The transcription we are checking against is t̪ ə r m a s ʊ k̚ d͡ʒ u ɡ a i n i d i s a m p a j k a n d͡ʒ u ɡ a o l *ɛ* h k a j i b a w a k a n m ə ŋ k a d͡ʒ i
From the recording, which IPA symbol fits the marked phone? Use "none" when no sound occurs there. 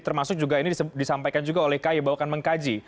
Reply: ɛ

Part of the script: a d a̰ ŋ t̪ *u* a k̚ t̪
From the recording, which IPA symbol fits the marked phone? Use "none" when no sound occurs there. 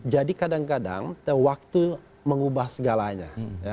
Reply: w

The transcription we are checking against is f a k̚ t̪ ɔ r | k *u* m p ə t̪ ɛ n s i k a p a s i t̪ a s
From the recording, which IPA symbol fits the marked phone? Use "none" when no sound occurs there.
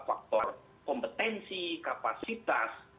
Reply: ɔ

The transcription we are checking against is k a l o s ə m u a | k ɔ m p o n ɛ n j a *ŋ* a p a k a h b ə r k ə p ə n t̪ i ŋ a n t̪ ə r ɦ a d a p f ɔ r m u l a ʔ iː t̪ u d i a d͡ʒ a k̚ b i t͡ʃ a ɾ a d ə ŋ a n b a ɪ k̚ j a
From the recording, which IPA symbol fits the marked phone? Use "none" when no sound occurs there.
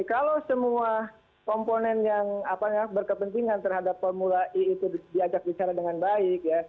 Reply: ŋ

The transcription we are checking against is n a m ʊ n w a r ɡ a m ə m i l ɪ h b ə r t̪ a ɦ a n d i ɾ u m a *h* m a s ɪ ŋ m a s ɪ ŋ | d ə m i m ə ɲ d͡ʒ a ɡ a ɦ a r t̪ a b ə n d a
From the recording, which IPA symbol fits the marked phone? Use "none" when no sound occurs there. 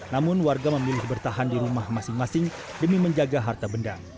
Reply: h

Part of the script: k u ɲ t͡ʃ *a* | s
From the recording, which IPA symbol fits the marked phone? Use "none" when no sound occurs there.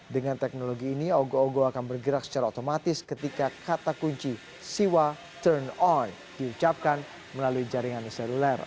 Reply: i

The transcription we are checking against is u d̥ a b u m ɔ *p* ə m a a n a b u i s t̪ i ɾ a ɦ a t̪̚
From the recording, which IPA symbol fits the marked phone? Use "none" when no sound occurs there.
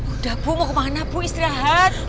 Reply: k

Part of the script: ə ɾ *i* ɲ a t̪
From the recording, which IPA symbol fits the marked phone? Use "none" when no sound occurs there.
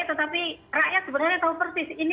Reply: a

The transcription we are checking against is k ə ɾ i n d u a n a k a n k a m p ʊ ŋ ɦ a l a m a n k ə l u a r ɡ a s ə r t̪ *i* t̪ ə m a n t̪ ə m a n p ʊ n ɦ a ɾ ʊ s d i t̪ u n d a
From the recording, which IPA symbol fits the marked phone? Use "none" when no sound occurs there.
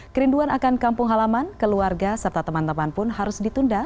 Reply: a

